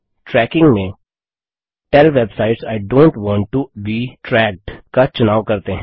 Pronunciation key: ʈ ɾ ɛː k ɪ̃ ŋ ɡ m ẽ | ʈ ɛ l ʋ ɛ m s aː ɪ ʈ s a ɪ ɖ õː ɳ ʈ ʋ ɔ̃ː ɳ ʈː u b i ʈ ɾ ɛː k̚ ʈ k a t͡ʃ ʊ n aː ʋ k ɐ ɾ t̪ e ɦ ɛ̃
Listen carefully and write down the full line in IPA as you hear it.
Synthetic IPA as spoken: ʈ ɾ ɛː k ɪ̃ ŋ ɡ m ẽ | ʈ ɛ l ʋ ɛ b s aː ɪ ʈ s a ɪ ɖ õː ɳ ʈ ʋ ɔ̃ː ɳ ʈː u b i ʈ ɾ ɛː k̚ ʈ k a t͡ʃ ʊ n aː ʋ k ɐ ɾ t̪ e ɦ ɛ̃